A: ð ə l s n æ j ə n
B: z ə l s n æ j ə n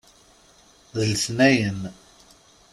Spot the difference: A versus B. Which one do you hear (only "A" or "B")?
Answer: A